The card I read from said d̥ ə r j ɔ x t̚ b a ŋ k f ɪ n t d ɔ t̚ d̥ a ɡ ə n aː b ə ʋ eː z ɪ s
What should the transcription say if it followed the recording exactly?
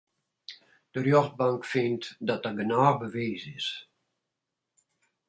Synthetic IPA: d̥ ə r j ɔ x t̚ b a ŋ k f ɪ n t d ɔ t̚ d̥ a ɡ ə n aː b ə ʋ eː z ɪ s